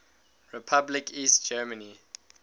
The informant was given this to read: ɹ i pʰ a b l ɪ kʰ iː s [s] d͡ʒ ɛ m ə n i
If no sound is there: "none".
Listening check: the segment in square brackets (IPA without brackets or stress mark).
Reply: t